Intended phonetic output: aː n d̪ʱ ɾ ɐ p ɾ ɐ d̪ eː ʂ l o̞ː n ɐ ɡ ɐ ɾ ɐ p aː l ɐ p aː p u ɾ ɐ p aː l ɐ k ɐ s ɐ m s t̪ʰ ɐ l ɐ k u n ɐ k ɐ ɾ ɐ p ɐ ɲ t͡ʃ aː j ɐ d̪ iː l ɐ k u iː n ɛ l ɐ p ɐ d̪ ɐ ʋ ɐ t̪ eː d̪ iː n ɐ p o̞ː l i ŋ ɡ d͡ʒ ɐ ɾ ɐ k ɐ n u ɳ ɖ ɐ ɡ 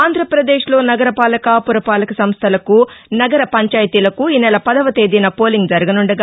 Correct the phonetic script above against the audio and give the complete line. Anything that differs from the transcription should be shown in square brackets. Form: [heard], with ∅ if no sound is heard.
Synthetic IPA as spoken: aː n d̪ʱ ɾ ɐ p ɾ ɐ d̪ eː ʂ l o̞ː n ɐ ɡ ɐ ɾ ɐ p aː l ɐ [k] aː p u ɾ ɐ p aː l ɐ k ɐ s ɐ m s t̪ʰ ɐ l ɐ k u n ɐ [ɡ] ɐ ɾ ɐ p ɐ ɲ t͡ʃ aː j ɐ [t̪] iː l ɐ k u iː n ɛ l ɐ p ɐ d̪ ɐ ʋ ɐ t̪ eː d̪ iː n ɐ p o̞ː l i ŋ ɡ d͡ʒ ɐ ɾ ɐ [ɡ] ɐ n u ɳ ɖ ɐ ɡ